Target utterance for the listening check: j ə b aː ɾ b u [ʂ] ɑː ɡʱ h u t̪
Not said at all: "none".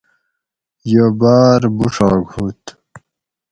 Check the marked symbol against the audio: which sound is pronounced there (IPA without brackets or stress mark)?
ʂ